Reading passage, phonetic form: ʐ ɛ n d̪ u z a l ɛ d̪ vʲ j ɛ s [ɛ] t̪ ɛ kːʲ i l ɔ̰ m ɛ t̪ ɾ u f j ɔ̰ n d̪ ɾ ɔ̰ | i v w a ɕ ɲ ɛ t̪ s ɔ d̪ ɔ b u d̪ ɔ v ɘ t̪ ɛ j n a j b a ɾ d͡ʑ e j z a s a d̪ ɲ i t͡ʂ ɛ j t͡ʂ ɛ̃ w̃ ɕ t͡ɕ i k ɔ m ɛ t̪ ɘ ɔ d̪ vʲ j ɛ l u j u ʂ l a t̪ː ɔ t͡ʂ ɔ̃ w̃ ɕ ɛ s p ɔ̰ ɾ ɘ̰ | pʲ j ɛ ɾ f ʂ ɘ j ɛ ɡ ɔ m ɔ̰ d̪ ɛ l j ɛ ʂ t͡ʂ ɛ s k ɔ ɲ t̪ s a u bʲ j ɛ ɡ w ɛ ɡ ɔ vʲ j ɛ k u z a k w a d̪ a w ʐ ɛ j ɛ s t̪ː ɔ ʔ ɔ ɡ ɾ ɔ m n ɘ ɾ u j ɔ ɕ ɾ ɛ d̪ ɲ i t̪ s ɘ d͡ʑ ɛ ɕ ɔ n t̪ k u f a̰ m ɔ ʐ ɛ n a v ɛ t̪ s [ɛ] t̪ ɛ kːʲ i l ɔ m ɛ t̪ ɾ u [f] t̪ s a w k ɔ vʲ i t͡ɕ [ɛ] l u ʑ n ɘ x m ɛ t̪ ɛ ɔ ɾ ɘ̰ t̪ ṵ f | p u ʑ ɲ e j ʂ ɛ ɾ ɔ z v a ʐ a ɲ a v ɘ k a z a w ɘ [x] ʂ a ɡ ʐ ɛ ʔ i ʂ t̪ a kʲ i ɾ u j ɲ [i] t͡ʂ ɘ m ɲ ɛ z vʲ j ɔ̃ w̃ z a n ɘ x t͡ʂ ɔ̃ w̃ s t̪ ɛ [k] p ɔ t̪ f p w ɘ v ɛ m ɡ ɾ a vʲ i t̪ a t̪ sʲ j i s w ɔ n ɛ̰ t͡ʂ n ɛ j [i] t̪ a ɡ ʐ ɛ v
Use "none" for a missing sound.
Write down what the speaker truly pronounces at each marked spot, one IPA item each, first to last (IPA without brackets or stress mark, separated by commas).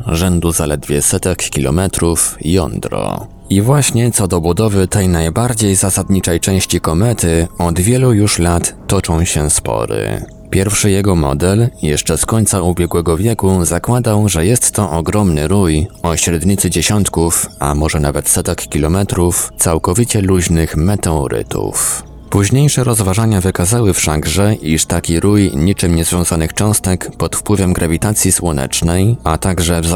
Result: ɛ, ɛ, f, ɛ, f, i, k, a